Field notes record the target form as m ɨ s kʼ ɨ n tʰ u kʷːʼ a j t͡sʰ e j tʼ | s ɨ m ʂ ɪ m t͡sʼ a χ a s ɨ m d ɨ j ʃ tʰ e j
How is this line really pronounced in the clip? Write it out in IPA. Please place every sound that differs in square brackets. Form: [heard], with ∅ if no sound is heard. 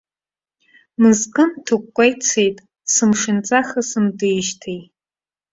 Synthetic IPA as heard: m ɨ [z] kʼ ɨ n tʰ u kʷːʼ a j t͡sʰ e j tʼ | s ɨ m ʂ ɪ [n] t͡sʼ a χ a s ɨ m d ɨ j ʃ tʰ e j